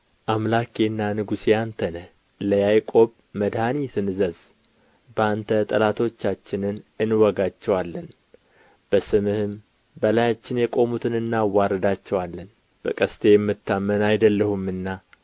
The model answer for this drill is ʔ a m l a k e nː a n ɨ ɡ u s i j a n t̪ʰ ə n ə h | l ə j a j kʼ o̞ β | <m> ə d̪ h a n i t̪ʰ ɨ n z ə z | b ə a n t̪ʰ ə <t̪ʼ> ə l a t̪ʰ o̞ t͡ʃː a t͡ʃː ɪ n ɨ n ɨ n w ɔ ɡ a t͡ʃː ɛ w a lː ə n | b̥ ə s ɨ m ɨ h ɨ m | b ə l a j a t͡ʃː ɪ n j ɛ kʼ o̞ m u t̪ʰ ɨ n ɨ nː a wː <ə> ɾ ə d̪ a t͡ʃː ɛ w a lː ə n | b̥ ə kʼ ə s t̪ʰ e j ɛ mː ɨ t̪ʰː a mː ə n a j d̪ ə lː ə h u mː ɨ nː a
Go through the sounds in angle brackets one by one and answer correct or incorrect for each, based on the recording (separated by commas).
correct, correct, incorrect